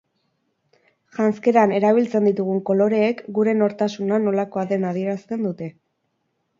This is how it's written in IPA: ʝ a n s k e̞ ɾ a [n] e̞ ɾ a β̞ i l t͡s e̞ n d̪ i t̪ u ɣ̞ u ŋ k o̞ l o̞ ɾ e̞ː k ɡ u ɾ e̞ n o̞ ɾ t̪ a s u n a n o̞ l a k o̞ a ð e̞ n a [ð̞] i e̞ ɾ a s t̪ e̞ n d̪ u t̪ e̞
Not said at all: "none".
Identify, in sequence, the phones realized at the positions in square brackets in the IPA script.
n, ð̞

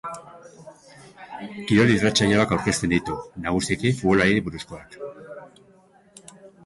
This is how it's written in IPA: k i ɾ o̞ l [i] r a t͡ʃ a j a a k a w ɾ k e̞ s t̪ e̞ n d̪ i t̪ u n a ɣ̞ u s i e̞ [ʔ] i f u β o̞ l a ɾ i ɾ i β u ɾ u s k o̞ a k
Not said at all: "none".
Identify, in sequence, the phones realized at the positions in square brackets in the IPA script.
i, k

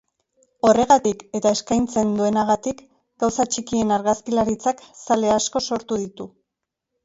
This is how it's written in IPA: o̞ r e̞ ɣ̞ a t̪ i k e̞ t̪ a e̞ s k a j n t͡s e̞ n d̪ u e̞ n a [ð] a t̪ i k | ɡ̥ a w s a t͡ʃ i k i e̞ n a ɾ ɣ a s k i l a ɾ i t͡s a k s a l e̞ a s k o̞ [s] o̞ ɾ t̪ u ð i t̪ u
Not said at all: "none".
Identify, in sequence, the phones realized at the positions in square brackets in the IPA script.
ɣ, s

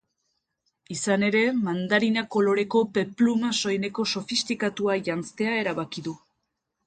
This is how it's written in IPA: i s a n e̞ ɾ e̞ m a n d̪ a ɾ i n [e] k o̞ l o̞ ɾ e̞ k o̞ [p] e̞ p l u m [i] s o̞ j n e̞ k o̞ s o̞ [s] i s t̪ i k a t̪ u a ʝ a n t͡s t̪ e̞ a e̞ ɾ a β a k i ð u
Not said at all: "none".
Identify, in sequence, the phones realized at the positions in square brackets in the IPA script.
a, p, a, f

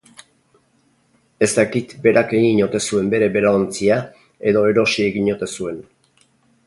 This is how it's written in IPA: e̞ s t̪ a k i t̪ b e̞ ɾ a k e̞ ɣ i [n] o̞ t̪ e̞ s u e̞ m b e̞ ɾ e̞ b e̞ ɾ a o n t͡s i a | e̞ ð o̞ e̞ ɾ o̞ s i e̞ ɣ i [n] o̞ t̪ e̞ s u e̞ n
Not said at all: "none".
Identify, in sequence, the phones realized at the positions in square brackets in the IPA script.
ɲ, ɲ

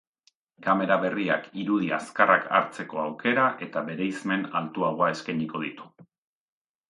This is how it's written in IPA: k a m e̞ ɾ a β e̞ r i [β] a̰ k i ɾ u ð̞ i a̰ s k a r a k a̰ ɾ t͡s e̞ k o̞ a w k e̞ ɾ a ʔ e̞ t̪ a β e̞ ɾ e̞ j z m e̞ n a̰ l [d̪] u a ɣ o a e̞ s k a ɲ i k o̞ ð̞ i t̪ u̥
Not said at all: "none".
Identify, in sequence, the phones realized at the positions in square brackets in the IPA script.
none, t̪

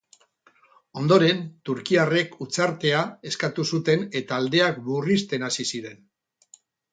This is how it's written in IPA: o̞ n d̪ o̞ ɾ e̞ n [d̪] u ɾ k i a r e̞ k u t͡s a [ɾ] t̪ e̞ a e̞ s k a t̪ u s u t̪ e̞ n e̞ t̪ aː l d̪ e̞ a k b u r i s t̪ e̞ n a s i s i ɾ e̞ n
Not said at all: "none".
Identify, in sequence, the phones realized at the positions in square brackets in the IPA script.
t̪, ɾ

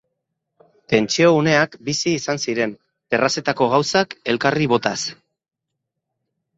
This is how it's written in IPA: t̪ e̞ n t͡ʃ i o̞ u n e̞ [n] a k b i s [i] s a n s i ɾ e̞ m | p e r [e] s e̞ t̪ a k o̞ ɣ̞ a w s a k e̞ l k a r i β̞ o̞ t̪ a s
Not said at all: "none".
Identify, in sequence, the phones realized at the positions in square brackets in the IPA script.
none, iː, a

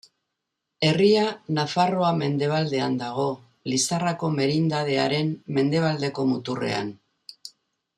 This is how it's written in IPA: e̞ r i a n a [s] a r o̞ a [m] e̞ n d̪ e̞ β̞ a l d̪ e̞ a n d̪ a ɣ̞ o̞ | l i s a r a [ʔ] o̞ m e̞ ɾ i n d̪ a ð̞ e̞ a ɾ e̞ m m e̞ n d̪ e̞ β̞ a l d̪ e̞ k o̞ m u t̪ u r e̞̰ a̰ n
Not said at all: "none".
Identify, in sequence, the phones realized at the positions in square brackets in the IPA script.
f, m, k

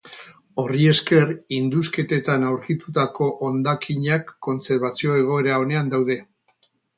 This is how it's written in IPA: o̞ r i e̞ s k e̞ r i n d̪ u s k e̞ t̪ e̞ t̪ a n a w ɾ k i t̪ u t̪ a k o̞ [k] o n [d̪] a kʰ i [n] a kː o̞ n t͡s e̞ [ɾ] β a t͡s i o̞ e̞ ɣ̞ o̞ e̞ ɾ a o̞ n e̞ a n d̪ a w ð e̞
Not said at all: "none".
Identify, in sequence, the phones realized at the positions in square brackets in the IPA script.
ʔ, d̪, ɲ, ɾ

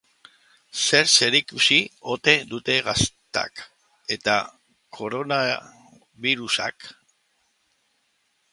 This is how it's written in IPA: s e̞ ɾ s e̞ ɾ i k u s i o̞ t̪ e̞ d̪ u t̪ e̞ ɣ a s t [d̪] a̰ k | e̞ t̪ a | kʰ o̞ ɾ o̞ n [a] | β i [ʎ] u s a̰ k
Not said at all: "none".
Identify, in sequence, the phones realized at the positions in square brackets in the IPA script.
t̪, a, ɾ

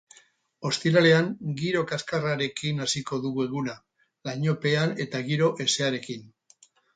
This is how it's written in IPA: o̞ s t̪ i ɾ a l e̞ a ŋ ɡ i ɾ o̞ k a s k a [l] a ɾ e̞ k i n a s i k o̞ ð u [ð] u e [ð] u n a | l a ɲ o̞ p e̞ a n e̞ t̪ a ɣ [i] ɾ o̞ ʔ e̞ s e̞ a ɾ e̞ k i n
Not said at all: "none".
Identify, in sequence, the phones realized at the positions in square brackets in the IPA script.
r, ɣ, ɣ, i

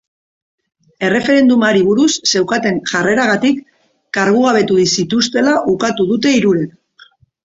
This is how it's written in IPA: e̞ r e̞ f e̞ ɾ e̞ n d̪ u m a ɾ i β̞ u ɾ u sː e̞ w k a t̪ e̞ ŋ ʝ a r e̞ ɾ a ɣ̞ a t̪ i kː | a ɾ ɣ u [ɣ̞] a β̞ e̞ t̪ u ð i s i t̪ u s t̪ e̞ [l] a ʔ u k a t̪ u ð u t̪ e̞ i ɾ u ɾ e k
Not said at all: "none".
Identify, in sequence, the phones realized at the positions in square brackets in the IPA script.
ɣ̞, l

